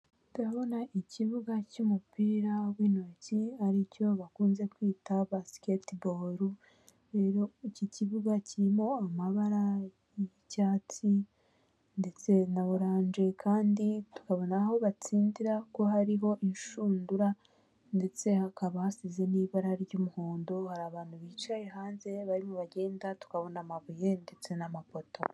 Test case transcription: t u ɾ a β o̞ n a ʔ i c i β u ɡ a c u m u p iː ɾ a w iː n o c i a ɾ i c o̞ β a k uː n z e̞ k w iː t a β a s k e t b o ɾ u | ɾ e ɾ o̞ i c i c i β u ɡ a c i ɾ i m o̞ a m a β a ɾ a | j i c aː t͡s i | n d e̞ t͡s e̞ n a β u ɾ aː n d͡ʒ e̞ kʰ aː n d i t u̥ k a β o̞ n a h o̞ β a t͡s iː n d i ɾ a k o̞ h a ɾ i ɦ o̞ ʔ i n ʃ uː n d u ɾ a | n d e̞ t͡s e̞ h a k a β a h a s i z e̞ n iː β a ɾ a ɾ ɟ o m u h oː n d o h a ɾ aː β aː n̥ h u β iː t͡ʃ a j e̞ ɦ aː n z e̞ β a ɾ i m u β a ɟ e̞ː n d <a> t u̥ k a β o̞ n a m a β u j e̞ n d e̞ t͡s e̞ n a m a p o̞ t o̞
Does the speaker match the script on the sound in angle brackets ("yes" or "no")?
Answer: yes